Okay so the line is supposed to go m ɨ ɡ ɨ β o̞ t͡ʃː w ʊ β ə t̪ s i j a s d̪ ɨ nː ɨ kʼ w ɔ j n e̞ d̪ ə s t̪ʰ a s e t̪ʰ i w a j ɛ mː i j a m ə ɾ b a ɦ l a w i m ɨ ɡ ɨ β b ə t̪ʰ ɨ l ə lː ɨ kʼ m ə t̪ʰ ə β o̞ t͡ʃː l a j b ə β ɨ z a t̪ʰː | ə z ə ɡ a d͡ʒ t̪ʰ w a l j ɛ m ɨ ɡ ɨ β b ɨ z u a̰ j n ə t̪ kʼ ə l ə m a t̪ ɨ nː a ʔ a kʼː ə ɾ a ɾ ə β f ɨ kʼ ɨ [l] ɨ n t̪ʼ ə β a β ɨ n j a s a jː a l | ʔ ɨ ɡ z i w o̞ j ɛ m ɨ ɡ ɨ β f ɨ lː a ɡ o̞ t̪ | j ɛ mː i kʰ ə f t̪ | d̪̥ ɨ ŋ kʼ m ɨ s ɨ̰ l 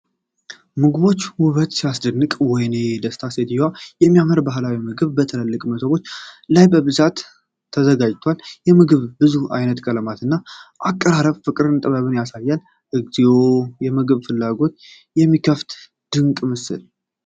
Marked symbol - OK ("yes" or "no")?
no